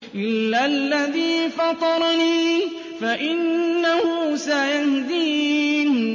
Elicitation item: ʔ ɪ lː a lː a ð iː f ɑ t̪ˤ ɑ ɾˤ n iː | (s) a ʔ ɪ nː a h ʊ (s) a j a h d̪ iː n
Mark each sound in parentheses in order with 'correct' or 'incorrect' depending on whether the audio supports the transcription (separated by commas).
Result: incorrect, correct